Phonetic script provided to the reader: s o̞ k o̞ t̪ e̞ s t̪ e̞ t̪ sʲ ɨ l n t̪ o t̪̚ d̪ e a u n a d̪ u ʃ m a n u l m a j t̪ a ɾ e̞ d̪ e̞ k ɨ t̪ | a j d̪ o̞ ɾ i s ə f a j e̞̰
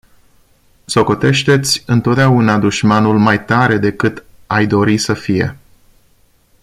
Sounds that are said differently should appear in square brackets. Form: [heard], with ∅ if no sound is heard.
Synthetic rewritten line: s o̞ k o̞ t̪ e̞ [ʃ] t̪ e̞ t̪ sʲ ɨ [∅] n t̪ o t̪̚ d̪ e a u n a d̪ u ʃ m a n u l m a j t̪ a ɾ e̞ d̪ e̞ k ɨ t̪ | a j d̪ o̞ ɾ i s ə f [i] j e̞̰